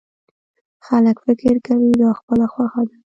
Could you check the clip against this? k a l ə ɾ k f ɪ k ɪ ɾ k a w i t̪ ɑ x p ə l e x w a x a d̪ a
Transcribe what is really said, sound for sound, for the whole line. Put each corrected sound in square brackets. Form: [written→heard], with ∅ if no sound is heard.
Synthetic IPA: [k→x] a l ə [ɾ→∅] k f ɪ k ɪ ɾ k a w i [t̪→d̪] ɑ x p ə l [e→a] x w a x a d̪ a